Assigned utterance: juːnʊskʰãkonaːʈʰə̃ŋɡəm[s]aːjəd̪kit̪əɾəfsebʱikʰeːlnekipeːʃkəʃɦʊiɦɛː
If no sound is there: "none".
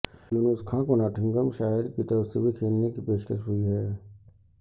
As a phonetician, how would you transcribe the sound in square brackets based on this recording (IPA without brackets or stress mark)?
ʃ